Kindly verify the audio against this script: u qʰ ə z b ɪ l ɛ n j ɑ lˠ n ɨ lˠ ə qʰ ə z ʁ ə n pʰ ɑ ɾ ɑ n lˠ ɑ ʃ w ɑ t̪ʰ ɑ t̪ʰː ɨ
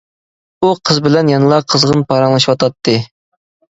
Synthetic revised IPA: u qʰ ə z b ɪ l ɛ n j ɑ n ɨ lˠ ɑ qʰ ə z ʁ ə n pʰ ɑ ɾ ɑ ŋ lˠ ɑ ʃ w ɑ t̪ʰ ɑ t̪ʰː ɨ